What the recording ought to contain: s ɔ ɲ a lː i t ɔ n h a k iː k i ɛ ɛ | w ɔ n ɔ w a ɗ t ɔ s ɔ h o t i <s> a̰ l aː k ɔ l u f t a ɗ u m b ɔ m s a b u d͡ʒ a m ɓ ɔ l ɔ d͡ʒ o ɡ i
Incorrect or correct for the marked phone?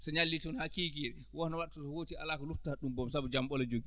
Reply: incorrect: none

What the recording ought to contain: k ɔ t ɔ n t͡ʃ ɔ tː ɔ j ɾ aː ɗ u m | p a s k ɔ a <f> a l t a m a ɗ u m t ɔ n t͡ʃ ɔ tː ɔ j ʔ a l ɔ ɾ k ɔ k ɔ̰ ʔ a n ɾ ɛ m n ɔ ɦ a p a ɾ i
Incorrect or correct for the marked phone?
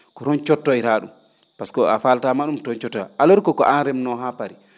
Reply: correct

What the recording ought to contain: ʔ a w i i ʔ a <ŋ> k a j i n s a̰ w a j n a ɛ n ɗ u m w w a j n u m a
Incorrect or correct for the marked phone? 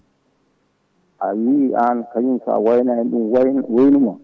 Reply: incorrect: n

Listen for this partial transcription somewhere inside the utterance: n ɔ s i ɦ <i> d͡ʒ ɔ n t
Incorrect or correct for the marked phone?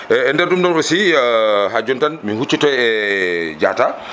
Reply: incorrect: a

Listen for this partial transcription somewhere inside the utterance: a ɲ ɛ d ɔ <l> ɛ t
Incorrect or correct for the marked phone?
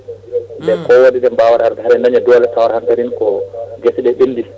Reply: correct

